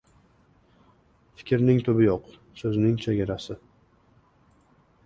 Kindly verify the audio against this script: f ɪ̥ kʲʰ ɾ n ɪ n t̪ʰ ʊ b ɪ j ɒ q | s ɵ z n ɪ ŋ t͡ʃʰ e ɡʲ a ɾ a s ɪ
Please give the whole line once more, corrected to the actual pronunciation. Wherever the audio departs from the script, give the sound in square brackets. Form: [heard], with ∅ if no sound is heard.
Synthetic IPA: f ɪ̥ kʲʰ ɾ n ɪ [ŋ] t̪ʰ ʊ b ɪ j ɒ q | s ɵ z n ɪ ŋ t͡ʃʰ e ɡʲ a ɾ a s ɪ